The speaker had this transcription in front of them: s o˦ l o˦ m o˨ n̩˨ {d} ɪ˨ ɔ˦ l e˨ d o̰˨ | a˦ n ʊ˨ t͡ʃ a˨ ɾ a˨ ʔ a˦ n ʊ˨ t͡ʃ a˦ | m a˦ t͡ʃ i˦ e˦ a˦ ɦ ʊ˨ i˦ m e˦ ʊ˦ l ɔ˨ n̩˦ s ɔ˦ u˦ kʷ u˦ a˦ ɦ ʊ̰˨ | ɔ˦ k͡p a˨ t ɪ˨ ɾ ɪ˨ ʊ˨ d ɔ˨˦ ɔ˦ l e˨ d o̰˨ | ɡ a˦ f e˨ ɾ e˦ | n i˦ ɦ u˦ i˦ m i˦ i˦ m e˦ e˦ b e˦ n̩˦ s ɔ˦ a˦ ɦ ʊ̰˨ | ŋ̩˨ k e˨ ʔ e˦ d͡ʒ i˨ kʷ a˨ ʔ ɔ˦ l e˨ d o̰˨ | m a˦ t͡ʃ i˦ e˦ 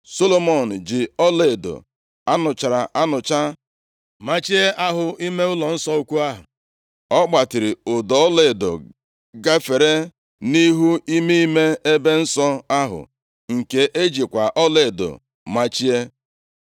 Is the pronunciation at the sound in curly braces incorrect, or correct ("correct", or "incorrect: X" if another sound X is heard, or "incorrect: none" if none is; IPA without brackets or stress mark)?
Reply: incorrect: d͡ʒ